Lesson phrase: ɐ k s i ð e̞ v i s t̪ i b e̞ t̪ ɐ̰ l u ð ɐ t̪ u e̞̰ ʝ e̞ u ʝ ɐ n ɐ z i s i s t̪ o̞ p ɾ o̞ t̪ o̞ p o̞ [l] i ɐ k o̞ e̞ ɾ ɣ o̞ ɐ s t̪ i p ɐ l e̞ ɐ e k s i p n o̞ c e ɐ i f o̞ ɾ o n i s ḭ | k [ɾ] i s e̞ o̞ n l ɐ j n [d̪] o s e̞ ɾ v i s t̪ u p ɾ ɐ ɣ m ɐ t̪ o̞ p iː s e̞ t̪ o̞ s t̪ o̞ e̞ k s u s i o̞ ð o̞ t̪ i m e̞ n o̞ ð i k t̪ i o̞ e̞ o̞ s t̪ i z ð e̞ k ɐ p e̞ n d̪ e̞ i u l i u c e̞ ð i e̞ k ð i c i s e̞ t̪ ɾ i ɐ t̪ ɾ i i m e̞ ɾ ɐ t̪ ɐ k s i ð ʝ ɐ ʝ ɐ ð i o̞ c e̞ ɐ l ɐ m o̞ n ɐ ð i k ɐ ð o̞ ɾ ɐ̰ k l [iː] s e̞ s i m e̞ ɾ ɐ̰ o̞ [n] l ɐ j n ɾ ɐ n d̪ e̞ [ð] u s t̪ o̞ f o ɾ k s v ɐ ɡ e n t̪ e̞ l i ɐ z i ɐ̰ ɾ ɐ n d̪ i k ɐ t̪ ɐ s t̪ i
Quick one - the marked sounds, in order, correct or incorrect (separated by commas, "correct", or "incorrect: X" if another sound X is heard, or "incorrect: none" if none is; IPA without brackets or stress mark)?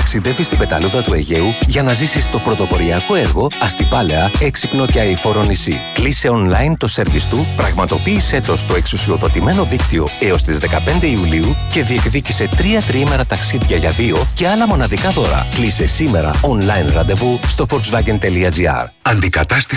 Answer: incorrect: ɾ, incorrect: l, incorrect: t̪, incorrect: i, correct, incorrect: v